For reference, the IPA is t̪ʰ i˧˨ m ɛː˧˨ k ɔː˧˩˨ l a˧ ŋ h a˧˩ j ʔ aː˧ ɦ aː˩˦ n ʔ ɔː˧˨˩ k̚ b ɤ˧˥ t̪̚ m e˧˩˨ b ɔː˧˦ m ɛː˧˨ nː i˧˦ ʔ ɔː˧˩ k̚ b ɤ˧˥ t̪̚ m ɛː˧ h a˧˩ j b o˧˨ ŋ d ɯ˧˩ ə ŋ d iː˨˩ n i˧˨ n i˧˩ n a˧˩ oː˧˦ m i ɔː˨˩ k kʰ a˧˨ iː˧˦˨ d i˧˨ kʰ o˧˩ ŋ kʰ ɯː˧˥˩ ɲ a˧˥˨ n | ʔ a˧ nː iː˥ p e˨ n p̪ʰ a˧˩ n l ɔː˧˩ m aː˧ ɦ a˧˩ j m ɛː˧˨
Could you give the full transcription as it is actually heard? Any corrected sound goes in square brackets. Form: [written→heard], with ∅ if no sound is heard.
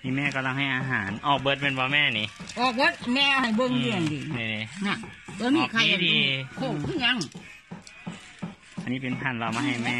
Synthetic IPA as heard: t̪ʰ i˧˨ m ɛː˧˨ k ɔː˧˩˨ l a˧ ŋ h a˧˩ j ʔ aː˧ ɦ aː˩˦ n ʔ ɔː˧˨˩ k̚ b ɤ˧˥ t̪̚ m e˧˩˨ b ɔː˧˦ m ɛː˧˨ [nː→n] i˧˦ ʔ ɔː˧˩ k̚ b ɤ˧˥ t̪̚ m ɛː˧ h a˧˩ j b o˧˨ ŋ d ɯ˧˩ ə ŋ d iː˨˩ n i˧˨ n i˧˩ n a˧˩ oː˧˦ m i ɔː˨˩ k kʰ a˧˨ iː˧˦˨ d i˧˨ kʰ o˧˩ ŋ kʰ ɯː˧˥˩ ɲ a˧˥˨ [n→ŋ] | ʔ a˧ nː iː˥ p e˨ n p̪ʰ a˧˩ n l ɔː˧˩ m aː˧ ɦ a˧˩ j m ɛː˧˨